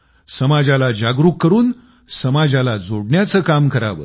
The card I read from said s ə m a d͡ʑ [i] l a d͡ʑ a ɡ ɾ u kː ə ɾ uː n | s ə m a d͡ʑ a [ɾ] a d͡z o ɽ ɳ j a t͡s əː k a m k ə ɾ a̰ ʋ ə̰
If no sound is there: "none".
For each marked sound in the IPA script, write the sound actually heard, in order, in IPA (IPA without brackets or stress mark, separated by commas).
a, l